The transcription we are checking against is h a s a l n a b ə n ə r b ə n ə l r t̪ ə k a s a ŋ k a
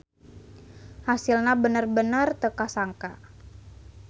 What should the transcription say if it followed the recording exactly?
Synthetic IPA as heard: h a s i l n a b ə n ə r b ə n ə r t̪ ə k a s a ŋ k a